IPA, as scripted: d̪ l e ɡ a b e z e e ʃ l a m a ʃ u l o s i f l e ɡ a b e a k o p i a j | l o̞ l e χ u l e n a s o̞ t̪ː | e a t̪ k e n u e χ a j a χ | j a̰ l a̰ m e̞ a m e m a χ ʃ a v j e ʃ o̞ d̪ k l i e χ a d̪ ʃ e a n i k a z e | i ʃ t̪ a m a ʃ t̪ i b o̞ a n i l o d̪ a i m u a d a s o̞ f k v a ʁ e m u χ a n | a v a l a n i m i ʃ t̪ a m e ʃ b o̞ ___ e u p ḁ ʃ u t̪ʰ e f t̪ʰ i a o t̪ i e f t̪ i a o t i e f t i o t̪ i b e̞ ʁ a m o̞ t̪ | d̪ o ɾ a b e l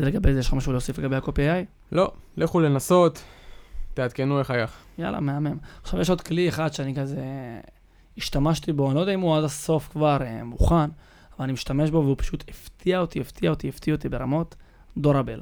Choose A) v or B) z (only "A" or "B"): A